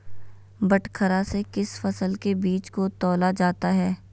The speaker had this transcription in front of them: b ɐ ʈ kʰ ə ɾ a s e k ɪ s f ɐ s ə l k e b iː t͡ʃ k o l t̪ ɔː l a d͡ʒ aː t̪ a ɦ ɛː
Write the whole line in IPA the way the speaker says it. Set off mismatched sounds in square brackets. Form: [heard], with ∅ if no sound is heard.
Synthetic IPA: b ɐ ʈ kʰ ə ɾ a s e k ɪ s f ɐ s ə l k e b iː t͡ʃ k o [∅] t̪ ɔː l a d͡ʒ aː t̪ a ɦ ɛː